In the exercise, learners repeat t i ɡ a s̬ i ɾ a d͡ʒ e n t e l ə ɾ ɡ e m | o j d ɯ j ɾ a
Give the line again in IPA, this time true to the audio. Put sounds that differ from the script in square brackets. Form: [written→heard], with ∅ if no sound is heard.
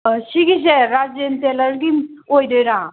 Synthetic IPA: [t→s] i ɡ [a→i] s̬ [i→e] ɾ a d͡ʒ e n t e l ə ɾ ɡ [e→i] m | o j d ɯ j ɾ a